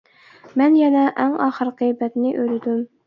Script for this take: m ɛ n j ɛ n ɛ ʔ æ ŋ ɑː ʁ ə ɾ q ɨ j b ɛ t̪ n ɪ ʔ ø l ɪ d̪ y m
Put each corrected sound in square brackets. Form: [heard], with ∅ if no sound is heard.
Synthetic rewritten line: m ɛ n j ɛ n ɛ ʔ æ ŋ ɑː [χ] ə ɾ q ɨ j b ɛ t̪ n ɪ ʔ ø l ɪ d̪ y m